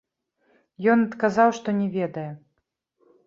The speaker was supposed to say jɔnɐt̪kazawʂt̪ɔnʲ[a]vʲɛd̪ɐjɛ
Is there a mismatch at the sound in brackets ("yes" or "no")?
yes